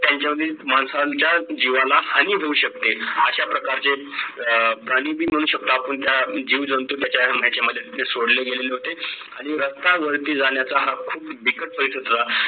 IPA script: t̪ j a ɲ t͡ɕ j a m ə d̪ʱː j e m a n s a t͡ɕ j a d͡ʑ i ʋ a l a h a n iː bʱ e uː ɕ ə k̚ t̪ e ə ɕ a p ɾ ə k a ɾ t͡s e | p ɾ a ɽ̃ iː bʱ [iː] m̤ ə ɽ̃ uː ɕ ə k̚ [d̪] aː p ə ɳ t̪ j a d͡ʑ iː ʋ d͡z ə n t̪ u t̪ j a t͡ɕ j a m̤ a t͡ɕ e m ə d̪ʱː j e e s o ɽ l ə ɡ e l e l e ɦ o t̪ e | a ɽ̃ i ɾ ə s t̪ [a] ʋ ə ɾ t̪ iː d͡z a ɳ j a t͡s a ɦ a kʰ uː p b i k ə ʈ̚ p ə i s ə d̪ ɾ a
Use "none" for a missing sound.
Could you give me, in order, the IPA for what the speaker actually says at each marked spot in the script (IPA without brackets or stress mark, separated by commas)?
iː, t̪, a